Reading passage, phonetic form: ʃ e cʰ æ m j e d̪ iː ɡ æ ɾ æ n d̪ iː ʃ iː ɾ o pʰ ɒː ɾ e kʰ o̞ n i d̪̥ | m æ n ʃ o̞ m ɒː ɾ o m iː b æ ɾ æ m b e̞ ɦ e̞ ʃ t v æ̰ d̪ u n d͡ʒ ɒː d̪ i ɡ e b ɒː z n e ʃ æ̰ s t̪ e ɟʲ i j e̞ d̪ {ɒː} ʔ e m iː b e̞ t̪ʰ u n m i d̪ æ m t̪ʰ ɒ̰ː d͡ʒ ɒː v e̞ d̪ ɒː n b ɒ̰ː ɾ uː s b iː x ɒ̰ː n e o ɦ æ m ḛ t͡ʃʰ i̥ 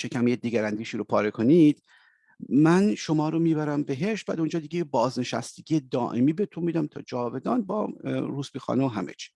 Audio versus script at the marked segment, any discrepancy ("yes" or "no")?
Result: no